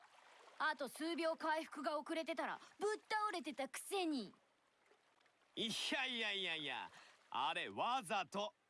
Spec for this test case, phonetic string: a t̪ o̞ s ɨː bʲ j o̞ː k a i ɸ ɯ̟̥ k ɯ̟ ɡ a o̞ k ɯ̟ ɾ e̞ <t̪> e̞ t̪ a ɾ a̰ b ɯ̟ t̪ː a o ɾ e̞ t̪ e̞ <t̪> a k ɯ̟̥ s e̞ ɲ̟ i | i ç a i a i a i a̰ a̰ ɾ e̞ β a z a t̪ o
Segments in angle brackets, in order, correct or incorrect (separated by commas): correct, correct